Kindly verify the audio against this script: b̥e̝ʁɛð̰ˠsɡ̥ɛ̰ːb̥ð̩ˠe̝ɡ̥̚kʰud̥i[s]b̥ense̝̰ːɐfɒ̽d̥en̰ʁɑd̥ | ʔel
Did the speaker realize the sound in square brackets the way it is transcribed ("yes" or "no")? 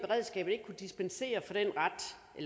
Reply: yes